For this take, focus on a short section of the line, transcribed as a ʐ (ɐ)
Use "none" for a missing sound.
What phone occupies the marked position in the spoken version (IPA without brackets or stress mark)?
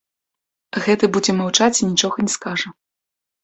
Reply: ɐ